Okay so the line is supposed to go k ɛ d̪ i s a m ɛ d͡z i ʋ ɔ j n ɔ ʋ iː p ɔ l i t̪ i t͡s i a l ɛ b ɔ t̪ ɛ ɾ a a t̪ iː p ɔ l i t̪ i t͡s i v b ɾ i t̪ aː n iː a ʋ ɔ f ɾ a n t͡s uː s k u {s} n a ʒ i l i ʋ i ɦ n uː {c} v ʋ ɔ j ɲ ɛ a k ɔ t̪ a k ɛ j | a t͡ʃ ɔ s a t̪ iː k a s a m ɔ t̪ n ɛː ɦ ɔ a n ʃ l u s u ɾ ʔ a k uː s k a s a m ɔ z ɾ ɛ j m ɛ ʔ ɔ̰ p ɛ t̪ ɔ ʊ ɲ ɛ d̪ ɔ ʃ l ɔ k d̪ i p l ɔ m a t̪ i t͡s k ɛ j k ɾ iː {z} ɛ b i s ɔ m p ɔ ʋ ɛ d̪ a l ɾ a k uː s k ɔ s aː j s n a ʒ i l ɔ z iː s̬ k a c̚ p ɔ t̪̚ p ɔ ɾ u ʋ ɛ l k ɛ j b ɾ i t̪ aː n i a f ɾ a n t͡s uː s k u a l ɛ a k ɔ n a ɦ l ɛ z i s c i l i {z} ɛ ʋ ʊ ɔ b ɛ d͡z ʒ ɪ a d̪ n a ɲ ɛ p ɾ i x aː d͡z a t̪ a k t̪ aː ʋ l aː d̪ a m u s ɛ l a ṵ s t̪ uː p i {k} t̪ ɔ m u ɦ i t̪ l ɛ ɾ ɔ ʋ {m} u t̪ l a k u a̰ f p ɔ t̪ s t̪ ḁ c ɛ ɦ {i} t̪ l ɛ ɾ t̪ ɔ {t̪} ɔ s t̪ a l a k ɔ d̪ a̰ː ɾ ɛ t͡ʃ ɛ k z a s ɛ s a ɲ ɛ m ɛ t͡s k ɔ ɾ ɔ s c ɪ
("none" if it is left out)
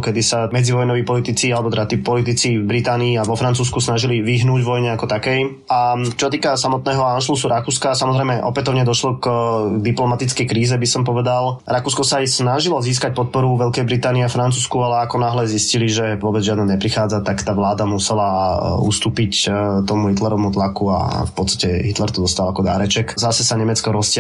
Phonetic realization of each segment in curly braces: s, ɟ, z, ʒ, c, m, i, d̪

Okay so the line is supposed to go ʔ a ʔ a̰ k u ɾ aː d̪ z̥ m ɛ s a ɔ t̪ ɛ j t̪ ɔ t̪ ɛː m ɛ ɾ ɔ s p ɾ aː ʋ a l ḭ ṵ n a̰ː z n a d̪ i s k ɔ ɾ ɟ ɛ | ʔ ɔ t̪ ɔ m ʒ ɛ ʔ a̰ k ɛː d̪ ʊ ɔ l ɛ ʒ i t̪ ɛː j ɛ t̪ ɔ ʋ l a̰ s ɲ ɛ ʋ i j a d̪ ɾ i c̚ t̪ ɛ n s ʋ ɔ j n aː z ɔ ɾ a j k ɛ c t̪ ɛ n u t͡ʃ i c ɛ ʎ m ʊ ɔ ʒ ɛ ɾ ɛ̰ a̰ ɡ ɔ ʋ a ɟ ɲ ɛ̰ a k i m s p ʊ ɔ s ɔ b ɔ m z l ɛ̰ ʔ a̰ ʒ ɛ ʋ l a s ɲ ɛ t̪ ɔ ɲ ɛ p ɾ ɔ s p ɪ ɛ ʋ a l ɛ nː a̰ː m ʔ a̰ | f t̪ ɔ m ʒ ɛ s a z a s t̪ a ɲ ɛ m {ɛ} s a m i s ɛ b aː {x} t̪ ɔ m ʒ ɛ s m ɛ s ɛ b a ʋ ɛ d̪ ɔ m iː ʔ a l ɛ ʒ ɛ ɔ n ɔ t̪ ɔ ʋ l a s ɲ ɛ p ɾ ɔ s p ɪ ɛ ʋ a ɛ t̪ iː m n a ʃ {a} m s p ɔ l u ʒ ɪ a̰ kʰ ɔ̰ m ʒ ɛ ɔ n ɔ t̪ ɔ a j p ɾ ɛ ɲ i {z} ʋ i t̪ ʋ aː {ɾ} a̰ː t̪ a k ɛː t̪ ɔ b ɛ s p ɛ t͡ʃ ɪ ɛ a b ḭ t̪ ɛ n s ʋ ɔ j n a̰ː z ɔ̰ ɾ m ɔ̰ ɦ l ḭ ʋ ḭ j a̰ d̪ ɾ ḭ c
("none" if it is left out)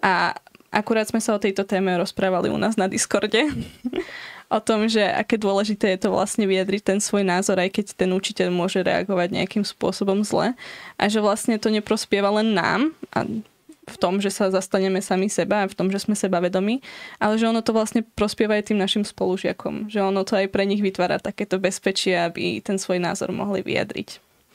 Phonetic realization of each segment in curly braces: ɛ, f, i, ɣ, ɾ

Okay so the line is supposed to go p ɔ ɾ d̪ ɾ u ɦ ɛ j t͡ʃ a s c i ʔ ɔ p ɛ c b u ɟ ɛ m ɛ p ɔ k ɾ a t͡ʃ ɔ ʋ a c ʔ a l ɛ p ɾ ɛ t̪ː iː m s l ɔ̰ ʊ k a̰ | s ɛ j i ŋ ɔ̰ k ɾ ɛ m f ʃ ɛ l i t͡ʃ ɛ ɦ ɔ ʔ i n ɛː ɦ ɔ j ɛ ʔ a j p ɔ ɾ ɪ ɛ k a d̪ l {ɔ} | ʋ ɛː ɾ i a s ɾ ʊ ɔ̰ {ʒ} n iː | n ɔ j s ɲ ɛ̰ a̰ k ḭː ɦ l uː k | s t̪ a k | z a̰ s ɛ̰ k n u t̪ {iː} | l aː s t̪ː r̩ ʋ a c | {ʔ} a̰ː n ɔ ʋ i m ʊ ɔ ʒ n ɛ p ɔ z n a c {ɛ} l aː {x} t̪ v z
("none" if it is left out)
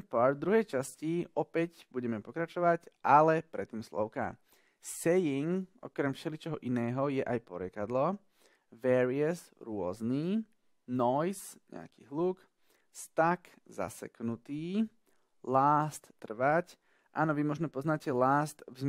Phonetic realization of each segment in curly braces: ɔ, z, iː, ʔ, ɛ, s

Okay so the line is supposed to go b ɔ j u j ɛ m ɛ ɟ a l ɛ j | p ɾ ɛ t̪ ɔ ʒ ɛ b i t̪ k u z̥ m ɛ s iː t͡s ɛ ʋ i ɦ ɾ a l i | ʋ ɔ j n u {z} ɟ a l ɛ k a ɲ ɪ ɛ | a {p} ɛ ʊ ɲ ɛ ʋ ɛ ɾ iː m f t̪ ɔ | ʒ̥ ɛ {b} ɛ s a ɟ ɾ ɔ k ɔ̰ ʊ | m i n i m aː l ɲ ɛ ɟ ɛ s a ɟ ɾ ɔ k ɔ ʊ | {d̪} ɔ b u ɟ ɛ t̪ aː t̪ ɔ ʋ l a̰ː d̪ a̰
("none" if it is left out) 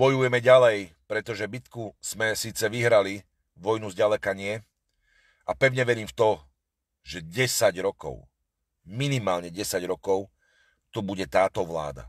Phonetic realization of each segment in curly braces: z, p, ɟ, t̪

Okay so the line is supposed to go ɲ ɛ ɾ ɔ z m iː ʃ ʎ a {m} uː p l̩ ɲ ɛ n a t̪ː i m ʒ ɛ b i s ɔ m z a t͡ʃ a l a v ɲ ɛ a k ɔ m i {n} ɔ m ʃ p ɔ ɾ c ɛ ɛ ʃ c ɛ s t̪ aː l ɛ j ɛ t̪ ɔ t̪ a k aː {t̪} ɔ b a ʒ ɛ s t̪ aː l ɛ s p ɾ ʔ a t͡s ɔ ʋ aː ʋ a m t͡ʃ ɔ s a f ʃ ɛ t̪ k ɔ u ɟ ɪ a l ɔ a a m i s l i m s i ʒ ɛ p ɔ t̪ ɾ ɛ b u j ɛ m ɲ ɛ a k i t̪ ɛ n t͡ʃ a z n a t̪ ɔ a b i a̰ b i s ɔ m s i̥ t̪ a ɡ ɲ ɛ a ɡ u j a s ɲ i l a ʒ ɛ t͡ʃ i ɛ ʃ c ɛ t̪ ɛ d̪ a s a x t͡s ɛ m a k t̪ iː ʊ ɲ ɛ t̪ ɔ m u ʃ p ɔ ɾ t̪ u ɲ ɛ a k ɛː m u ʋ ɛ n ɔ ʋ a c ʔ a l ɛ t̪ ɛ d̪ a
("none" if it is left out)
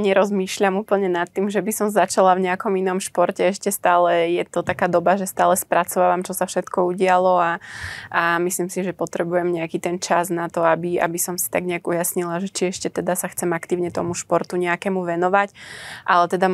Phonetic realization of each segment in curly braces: m, n, d̪

